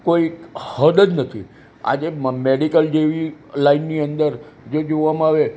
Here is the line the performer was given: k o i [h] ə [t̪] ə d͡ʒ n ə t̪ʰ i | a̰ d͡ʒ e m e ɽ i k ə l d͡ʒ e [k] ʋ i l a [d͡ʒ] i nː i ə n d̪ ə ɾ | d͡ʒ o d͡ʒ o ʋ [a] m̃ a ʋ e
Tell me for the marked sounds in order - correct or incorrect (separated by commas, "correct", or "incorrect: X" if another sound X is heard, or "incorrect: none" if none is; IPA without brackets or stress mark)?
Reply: correct, incorrect: d̪, incorrect: none, incorrect: none, correct